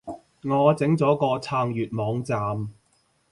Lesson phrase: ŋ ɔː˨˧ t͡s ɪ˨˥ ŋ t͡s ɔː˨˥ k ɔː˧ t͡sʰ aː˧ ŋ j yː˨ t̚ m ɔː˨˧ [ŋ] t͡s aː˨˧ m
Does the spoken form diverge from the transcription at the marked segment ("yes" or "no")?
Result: no